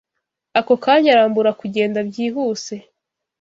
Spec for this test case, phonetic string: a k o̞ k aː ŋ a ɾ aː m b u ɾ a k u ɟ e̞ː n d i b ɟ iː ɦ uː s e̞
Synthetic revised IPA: a k o̞ k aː ɲ a ɾ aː m b u ɾ a k u ɟ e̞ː n d a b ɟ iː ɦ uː s e̞